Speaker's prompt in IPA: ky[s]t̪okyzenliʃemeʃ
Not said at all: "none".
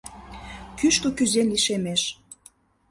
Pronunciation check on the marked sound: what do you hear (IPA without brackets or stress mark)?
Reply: ʃ